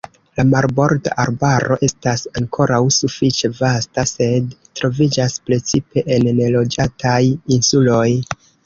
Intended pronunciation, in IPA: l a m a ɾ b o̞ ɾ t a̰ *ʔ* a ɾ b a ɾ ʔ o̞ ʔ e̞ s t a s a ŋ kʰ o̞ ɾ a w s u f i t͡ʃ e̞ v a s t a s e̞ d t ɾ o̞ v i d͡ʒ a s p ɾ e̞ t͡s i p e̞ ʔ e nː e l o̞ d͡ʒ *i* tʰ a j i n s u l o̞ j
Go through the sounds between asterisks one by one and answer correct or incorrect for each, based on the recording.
correct, incorrect

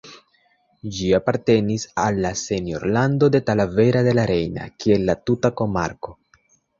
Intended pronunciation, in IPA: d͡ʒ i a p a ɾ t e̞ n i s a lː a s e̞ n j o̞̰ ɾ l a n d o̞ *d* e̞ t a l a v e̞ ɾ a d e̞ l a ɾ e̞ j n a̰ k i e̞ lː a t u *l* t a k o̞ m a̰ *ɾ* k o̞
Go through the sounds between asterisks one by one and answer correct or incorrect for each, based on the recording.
correct, incorrect, correct

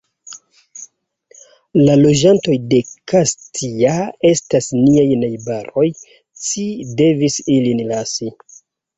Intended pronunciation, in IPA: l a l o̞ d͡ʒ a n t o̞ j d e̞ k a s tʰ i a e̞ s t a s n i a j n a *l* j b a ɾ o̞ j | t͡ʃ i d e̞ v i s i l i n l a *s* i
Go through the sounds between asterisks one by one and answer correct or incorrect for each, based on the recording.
incorrect, correct

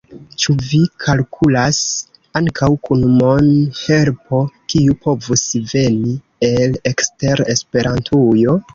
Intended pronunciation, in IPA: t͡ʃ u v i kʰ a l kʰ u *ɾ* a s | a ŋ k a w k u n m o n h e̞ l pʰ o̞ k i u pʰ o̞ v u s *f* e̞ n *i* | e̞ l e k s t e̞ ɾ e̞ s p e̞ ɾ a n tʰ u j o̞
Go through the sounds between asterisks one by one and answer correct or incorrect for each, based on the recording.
incorrect, incorrect, correct

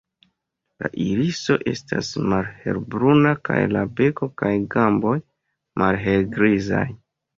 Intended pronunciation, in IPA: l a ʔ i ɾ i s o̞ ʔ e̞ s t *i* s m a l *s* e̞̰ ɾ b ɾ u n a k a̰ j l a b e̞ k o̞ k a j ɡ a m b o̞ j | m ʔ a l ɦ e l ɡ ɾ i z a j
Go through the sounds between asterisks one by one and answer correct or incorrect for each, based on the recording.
incorrect, incorrect

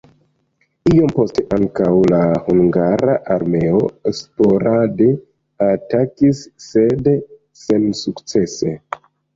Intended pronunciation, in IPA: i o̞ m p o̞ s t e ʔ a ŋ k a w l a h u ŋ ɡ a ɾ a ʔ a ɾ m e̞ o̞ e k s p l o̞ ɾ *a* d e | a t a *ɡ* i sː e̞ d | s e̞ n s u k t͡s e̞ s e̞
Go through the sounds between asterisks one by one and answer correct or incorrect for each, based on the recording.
correct, incorrect

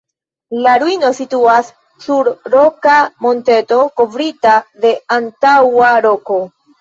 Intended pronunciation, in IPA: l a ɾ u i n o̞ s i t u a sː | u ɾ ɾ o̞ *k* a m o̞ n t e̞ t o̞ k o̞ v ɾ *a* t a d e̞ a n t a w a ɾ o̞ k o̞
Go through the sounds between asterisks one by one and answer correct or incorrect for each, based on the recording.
correct, incorrect

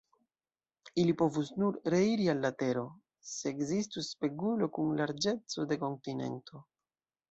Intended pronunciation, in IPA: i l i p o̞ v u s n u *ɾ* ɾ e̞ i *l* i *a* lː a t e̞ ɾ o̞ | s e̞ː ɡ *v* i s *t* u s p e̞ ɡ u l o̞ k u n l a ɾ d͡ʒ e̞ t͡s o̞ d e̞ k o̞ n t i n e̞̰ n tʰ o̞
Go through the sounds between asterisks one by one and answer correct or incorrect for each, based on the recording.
correct, incorrect, correct, incorrect, correct

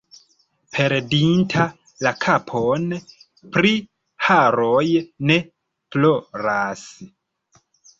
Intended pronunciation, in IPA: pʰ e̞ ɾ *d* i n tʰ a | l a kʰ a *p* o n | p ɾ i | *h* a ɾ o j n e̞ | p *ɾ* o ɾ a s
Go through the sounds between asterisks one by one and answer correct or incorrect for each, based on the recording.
correct, incorrect, correct, incorrect

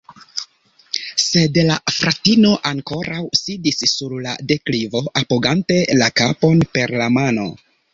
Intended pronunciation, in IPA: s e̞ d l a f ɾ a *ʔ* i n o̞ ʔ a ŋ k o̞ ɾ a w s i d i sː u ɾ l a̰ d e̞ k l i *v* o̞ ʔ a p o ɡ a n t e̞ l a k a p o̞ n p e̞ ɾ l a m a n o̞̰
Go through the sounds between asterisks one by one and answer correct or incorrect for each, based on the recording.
incorrect, correct

